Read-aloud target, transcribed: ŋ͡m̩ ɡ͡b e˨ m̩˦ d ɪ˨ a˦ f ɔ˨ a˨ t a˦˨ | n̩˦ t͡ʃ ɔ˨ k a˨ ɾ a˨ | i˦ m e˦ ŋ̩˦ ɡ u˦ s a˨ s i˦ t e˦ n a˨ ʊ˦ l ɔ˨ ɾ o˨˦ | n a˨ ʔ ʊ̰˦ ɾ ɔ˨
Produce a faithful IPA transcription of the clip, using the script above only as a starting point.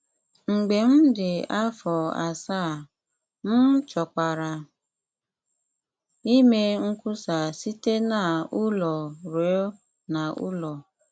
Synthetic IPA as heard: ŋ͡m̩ ɡ͡b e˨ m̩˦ d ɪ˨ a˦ f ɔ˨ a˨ s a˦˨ | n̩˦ t͡ʃ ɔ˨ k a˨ ɾ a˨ | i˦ m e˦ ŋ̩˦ k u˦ s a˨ s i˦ t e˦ n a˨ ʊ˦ l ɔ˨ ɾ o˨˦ | n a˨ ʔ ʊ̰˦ l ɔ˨